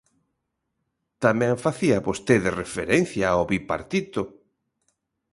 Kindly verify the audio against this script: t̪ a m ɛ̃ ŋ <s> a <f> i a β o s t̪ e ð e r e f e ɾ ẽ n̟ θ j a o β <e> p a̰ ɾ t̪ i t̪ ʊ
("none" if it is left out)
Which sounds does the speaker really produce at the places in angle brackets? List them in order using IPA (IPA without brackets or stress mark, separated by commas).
f, θ, i